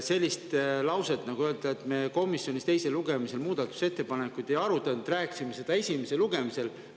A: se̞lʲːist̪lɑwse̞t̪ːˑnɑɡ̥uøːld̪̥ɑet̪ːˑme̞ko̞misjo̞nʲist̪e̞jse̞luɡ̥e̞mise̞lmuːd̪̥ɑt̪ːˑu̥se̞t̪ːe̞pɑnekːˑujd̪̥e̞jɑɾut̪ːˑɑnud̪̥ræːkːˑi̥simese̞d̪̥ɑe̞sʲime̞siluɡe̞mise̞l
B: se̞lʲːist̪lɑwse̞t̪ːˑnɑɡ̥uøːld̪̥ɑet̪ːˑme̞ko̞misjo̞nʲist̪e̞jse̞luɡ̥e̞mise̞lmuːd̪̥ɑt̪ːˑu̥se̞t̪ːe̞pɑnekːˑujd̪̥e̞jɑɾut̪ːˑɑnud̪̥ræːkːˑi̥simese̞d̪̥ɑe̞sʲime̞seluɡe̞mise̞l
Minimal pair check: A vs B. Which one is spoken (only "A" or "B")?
B